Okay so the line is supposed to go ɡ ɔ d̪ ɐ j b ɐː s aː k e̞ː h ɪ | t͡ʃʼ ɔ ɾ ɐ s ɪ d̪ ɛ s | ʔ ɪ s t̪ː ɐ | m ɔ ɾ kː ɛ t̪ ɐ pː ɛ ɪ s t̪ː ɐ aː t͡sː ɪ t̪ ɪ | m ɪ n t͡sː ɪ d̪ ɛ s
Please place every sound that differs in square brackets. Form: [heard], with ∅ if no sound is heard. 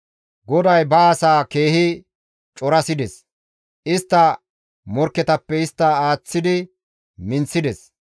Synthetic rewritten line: ɡ ɔ d̪ ɐ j b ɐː s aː k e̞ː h ɪ | t͡ʃʼ ɔ ɾ ɐ s ɪ d̪ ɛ s | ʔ ɪ s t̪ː ɐ | m ɔ ɾ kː ɛ t̪ ɐ pː ɛ ɪ s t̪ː ɐ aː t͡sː ɪ [d̪] ɪ | m ɪ n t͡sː ɪ d̪ ɛ s